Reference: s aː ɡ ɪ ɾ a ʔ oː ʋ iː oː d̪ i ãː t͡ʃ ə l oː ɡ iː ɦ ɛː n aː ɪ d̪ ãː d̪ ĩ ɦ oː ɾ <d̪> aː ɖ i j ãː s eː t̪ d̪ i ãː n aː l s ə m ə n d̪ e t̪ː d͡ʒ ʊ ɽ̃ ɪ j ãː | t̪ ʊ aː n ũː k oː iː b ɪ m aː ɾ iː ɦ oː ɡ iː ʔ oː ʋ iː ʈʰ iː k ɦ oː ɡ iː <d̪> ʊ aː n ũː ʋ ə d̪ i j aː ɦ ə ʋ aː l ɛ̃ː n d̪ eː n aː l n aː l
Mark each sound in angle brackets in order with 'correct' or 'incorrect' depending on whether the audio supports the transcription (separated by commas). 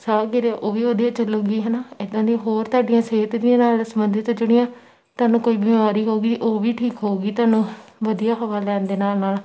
incorrect, incorrect